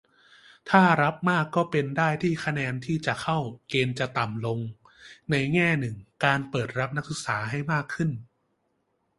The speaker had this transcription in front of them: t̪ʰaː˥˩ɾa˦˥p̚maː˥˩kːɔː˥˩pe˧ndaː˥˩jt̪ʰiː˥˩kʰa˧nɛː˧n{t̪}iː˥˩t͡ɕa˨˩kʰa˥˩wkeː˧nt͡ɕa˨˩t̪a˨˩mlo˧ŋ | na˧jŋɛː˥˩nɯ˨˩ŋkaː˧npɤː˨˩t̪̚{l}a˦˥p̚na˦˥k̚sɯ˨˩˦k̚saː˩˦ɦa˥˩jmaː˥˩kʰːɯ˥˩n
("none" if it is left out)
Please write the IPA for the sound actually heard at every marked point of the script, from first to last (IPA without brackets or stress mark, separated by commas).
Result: t̪ʰ, ɾ